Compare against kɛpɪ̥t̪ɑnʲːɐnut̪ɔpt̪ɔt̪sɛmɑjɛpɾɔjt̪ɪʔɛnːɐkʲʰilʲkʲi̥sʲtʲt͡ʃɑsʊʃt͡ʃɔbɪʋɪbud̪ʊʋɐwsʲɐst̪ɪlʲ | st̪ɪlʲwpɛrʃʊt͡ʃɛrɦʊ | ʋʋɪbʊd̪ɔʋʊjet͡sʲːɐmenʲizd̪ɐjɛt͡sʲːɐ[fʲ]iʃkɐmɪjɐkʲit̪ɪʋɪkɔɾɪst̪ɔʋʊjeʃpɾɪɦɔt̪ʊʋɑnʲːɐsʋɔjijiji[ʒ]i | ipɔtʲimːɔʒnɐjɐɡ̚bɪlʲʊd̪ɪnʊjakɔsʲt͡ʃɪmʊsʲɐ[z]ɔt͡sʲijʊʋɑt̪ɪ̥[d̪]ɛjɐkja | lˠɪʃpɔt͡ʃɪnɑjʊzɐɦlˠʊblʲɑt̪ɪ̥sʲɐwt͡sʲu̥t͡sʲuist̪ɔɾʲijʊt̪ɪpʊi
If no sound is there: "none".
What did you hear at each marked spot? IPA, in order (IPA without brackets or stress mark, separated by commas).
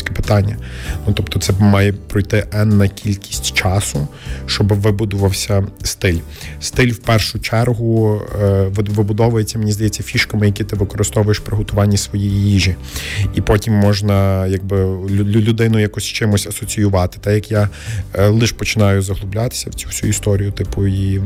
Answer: fʲ, ʒ, s, t̪